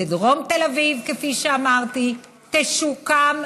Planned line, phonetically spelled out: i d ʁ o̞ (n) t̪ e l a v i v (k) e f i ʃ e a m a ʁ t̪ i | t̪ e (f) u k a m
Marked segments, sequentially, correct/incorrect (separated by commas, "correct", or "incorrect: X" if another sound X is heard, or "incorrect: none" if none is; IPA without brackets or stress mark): incorrect: m, correct, incorrect: ʃ